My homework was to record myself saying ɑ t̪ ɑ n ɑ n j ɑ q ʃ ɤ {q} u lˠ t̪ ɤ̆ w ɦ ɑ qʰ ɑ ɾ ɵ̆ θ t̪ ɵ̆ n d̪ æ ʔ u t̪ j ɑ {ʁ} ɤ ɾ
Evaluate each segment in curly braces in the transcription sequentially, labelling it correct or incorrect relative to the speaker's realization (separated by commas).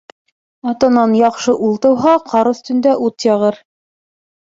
incorrect, correct